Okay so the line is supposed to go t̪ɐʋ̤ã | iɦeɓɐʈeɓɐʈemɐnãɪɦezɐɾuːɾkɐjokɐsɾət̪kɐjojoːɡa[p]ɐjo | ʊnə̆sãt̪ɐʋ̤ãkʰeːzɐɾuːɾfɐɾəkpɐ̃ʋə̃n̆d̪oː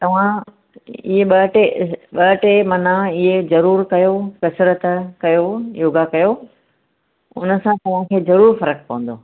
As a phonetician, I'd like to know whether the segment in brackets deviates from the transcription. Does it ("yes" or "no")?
yes